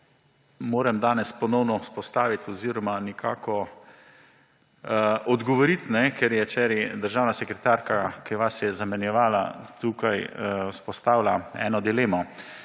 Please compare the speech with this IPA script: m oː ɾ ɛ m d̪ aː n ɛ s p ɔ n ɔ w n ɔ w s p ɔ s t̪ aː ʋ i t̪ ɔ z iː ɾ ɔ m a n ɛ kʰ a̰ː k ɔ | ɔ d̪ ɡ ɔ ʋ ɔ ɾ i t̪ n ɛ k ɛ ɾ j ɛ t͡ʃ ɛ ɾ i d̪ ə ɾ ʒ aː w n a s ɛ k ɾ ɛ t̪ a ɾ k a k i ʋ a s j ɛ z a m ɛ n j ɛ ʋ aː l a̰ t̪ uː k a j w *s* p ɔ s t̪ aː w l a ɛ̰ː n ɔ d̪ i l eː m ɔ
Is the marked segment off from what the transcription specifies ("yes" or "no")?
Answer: no